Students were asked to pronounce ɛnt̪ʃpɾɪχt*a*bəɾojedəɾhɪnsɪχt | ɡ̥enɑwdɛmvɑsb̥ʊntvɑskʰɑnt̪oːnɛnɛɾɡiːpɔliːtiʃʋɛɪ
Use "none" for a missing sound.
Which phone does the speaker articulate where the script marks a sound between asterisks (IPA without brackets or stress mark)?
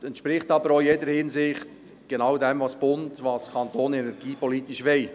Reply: ɑ